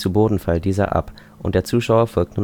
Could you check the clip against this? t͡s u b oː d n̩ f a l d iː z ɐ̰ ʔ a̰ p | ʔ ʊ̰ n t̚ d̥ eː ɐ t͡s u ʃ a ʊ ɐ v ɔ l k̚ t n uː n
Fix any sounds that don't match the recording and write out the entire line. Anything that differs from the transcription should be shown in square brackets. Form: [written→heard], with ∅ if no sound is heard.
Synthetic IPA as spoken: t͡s u b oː d n̩ f a l d iː z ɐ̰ ʔ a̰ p | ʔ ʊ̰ n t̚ d̥ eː ɐ t͡s [u→uː] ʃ a ʊ ɐ [v→f] ɔ l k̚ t n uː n